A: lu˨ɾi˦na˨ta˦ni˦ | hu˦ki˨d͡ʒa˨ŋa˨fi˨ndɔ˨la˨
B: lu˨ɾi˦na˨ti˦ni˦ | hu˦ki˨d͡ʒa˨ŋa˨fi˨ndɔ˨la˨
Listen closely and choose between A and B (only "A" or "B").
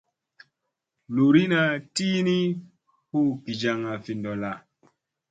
B